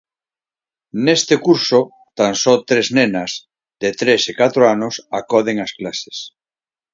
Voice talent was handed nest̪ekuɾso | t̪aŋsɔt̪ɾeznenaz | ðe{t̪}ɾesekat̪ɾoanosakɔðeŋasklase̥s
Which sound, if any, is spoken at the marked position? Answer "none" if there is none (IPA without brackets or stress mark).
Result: t̪